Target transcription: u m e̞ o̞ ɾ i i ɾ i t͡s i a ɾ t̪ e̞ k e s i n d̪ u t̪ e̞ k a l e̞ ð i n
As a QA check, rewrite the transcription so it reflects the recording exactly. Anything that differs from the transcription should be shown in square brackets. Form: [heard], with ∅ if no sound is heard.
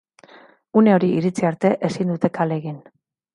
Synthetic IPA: u [n] e̞ o̞ ɾ i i ɾ i t͡s i a ɾ t̪ e̞ [ʔ] e s i n d̪ u t̪ e̞ k a l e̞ [ɣ] i n